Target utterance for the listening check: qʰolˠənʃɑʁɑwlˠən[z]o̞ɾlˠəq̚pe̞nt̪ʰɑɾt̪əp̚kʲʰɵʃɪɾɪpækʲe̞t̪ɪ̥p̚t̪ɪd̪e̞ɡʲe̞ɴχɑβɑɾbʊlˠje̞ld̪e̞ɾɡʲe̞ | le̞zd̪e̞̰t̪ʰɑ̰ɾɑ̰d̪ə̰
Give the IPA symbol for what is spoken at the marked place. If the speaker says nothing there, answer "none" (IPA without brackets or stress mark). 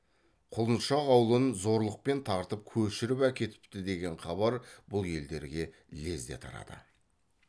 z